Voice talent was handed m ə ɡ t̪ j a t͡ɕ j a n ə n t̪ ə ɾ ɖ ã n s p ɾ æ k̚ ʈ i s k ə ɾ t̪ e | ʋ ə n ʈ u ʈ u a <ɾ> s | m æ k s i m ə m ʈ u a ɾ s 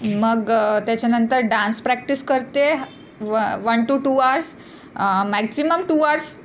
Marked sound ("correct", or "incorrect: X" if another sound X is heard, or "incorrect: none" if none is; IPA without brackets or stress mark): correct